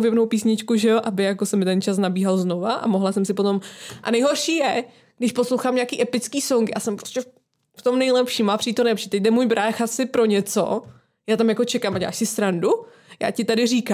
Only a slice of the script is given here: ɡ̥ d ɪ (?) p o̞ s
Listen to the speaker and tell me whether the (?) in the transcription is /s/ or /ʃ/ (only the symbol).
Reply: ʃ